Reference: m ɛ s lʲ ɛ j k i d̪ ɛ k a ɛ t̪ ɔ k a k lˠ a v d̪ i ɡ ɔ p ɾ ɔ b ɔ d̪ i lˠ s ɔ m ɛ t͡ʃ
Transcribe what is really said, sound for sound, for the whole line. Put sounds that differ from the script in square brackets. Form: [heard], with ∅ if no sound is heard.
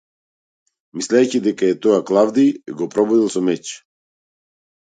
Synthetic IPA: m [i] s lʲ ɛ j [c] i d̪ ɛ k a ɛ t̪ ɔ [∅] a k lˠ a v d̪ i ɡ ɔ p ɾ ɔ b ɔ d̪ i lˠ s ɔ m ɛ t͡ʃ